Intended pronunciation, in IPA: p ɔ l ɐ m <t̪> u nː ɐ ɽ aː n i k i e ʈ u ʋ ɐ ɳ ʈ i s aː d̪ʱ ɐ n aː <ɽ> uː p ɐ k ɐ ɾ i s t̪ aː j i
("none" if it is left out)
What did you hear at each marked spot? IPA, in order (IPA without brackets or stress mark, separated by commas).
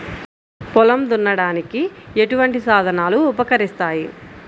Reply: d̪, l